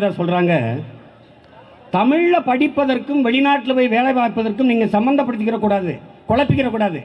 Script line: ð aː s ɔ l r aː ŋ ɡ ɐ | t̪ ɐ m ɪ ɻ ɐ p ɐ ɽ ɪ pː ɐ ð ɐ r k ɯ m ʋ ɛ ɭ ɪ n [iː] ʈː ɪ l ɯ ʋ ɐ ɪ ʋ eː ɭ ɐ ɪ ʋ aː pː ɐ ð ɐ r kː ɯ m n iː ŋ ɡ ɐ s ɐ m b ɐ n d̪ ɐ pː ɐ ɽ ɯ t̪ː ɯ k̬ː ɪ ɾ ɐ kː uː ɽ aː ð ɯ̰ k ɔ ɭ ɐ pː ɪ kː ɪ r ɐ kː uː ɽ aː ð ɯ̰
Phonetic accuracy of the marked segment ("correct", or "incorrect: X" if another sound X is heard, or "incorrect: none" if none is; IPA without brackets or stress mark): incorrect: aː